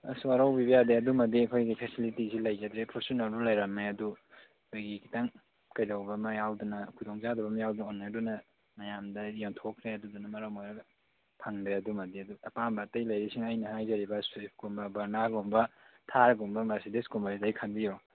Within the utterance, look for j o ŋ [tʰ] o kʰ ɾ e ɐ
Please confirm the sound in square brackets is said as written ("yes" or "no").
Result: yes